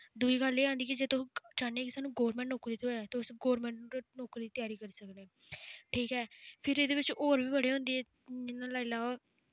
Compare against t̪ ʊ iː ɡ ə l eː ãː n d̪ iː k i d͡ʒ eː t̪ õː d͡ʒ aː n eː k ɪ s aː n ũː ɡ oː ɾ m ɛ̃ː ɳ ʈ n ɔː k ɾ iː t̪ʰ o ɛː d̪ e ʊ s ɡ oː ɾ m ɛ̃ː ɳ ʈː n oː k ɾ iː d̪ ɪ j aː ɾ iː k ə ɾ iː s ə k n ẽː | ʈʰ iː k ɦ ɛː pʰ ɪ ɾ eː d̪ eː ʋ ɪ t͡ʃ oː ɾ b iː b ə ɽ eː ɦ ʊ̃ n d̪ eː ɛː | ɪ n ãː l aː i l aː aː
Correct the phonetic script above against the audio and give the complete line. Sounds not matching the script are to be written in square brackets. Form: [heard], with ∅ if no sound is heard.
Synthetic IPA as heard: [d̪] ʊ iː ɡ ə l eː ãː n d̪ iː k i d͡ʒ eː t̪ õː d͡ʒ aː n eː k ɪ s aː n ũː ɡ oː ɾ m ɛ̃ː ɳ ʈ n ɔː k ɾ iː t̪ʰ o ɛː [t̪] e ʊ s ɡ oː ɾ m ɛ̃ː ɳ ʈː n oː k ɾ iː [t̪] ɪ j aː ɾ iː k ə ɾ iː s ə k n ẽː | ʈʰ iː k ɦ ɛː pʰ ɪ ɾ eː d̪ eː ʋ ɪ t͡ʃ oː ɾ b iː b ə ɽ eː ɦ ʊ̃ n d̪ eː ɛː | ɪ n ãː l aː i l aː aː

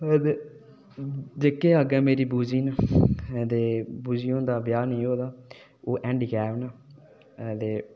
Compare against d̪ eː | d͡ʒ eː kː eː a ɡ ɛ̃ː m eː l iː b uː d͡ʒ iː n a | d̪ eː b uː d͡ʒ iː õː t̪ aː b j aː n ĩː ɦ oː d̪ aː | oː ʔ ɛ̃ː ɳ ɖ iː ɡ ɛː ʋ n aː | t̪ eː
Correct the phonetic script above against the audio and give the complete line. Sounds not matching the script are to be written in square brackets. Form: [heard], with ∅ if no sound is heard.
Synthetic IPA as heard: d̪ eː | d͡ʒ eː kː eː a ɡ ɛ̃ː m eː [ɾ] iː b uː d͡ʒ iː n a | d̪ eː b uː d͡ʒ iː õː [d̪] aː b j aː n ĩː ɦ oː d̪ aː | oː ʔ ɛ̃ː ɳ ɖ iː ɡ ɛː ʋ n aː | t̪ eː

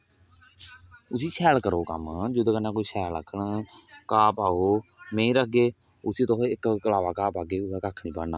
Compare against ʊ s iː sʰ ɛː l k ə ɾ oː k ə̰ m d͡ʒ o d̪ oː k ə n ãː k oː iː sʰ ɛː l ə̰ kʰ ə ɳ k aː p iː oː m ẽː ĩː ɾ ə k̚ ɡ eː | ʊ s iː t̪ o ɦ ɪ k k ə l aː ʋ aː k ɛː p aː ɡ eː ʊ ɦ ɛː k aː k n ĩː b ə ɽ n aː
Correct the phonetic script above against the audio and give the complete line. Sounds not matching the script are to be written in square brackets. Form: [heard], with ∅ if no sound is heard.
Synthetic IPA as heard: ʊ s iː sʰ ɛː l k ə ɾ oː k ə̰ m d͡ʒ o d̪ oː k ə n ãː k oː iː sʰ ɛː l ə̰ kʰ ə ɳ k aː p [aː] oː m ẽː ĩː ɾ ə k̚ ɡ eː | ʊ s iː t̪ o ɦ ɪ k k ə l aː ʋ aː k [aː] p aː ɡ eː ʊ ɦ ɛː k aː [kʰ] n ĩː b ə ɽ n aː

